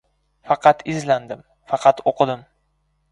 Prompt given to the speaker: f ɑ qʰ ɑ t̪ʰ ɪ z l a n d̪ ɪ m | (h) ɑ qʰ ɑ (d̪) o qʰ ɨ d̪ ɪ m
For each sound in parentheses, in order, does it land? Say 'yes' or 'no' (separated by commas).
no, no